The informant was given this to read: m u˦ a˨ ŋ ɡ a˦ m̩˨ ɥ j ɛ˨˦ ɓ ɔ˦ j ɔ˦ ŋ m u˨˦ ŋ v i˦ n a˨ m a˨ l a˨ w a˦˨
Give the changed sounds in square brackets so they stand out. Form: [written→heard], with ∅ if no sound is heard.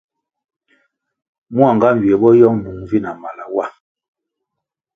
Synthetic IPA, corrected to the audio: m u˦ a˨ ŋ ɡ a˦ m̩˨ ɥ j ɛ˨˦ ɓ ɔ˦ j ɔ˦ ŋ [m→n] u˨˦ ŋ v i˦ n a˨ m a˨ l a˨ w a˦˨